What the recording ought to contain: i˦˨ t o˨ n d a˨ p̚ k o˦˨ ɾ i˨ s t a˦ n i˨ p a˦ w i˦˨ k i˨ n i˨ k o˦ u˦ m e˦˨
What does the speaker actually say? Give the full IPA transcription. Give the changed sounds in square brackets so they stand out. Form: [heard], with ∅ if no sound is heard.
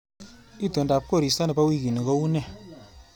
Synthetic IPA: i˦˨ t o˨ n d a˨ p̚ k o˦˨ ɾ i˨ s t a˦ n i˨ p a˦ w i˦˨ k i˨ n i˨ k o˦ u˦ [n] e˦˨